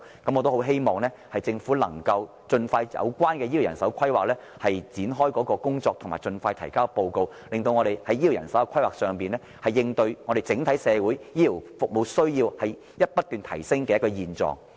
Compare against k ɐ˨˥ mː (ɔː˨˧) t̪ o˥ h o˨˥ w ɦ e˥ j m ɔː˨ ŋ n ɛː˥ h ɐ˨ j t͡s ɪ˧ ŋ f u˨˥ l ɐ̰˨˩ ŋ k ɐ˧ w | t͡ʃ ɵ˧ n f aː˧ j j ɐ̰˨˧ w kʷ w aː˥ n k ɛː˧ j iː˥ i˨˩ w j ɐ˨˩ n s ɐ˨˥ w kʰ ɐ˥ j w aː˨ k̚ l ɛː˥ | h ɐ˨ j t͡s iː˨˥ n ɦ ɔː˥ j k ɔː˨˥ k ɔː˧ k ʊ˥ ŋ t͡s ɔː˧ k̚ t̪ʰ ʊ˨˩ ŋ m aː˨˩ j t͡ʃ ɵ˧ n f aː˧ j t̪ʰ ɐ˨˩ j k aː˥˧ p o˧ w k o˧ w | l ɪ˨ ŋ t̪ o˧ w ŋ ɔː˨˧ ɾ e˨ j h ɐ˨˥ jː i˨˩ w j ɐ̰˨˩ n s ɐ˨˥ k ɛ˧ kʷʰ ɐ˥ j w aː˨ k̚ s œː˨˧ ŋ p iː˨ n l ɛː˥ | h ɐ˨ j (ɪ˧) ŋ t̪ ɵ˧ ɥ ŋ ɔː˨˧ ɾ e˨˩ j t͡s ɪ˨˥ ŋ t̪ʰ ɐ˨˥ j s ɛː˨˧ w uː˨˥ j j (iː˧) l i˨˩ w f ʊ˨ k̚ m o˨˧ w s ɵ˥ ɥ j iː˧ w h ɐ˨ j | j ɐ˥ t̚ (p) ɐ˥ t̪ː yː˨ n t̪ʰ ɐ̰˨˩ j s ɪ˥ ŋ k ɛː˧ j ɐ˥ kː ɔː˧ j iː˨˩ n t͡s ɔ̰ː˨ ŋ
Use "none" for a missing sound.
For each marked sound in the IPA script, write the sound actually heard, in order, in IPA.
ɔ˨˧, ɪ˧, iː˥, p

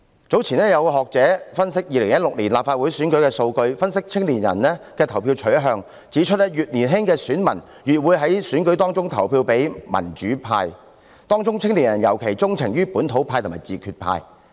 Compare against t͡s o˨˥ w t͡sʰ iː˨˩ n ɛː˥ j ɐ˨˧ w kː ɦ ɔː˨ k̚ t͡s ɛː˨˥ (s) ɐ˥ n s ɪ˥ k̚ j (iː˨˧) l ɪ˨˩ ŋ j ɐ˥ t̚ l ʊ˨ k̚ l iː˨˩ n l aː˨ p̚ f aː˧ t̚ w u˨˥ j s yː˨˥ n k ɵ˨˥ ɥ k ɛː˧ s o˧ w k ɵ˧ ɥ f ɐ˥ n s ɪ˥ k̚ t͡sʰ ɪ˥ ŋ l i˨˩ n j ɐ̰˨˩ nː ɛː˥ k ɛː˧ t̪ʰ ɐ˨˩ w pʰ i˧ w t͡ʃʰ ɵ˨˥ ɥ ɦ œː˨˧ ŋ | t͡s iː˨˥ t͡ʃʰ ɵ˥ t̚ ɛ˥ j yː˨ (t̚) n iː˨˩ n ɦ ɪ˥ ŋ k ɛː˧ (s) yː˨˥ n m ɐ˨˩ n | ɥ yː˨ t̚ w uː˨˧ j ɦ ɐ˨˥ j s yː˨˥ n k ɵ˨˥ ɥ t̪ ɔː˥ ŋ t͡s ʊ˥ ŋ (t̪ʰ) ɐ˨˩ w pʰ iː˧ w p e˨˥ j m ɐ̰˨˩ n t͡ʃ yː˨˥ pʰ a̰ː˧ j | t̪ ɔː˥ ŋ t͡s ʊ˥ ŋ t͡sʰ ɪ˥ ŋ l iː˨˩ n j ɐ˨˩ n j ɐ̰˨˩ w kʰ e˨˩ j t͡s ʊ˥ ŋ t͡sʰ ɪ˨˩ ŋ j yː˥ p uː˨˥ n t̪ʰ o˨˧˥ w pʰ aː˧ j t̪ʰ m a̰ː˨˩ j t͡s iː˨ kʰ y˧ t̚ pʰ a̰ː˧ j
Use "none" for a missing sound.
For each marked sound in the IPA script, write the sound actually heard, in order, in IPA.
f, iː˨˧, t̚, s, t̪ʰ

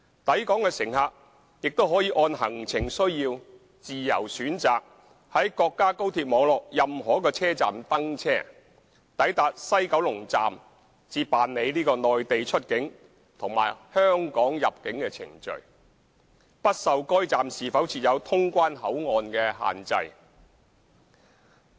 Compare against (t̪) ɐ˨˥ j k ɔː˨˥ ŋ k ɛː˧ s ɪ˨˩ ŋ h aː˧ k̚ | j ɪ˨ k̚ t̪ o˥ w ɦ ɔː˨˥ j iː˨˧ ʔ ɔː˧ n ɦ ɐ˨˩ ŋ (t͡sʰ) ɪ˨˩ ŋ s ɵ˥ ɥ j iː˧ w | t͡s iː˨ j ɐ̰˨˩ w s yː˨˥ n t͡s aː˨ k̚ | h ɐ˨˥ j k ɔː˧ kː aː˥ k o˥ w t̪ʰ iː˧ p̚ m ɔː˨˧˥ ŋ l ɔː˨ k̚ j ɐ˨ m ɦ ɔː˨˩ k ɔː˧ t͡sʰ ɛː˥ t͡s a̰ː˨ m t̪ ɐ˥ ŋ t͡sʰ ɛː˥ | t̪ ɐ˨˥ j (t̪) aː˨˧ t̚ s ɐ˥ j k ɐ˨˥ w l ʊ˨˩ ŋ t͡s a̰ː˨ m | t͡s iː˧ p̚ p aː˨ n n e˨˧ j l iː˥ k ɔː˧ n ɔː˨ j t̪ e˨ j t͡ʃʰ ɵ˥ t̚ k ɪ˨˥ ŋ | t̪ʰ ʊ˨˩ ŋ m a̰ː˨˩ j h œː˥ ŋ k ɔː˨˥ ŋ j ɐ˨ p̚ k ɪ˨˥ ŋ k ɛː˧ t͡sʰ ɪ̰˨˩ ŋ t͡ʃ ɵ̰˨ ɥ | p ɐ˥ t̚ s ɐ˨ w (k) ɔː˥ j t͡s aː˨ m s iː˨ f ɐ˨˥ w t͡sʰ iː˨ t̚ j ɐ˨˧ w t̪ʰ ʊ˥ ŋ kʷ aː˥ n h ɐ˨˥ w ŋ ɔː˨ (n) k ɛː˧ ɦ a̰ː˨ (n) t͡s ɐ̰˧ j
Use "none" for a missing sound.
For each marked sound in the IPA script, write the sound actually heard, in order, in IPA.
t̪, t͡sʰ, t̪, k, n, n

